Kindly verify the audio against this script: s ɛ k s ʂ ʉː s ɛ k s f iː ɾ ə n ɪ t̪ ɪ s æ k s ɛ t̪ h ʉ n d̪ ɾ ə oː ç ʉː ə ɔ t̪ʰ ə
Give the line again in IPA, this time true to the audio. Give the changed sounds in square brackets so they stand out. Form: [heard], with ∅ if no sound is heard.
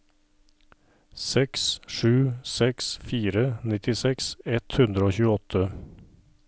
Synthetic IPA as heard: s ɛ k s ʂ ʉː s ɛ k s f iː ɾ ə n ɪ t̪ ɪ s [ɛ] k s ɛ t̪ h ʉ n d̪ ɾ ə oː ç ʉː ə ɔ t̪ʰ ə